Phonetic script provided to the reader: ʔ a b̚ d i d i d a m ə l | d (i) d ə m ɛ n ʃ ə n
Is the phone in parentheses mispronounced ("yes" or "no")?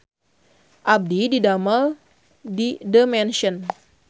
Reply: no